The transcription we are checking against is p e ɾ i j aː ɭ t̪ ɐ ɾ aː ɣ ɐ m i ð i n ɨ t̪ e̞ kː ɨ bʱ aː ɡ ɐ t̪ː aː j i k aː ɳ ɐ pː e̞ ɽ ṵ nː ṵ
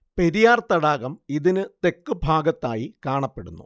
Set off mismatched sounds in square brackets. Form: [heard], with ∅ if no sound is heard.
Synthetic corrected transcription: p e ɾ i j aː [r] t̪ ɐ [ɽ] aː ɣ ɐ m i ð i n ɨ t̪ e̞ kː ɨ bʱ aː ɡ ɐ t̪ː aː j i k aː ɳ ɐ pː e̞ ɽ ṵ nː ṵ